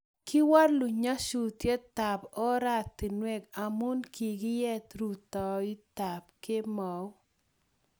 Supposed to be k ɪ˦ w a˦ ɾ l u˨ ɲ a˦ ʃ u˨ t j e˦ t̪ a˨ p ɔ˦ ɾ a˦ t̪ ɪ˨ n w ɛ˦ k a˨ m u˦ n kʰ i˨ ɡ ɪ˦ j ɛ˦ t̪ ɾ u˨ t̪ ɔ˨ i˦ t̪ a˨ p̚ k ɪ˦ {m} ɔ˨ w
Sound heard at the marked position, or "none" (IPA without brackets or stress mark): m